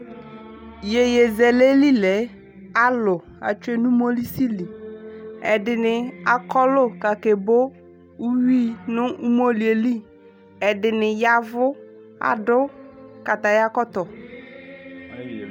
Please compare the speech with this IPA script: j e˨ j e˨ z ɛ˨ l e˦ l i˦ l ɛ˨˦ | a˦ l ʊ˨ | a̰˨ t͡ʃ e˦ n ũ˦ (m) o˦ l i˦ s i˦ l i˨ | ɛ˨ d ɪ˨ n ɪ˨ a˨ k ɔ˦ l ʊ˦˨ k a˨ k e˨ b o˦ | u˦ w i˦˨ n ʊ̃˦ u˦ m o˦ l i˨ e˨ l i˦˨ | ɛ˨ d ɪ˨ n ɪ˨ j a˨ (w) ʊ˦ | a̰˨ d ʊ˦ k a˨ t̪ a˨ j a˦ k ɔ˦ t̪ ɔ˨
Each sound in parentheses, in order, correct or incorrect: correct, incorrect: v

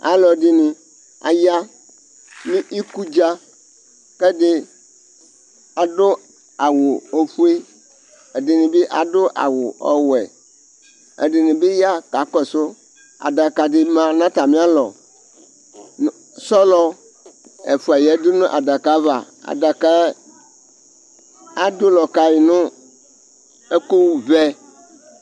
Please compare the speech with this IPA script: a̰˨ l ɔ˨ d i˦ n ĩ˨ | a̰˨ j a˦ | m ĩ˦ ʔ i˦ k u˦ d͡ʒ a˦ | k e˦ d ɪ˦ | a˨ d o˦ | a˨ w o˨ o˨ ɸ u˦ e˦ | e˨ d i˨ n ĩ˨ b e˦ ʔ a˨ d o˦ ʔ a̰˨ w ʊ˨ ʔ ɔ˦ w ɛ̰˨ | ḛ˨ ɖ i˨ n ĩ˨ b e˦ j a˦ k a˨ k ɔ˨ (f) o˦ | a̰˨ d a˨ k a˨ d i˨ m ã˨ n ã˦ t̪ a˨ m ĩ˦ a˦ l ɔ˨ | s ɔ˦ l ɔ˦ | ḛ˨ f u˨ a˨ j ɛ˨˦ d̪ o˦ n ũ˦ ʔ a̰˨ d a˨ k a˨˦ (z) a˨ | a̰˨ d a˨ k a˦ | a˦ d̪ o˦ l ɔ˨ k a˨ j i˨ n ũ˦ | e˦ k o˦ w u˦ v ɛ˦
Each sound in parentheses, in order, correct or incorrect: incorrect: s, incorrect: v

